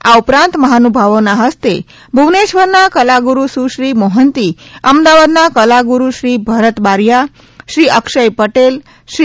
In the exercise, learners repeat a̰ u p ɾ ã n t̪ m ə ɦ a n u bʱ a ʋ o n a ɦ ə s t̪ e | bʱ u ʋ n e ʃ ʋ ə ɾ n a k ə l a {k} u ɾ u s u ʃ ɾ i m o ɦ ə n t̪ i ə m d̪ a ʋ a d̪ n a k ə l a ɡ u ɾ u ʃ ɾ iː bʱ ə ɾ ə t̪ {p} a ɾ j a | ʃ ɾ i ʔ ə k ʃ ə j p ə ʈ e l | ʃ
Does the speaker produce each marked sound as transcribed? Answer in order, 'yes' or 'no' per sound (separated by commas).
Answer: no, no